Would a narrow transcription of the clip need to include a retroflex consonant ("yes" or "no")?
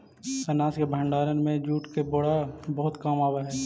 yes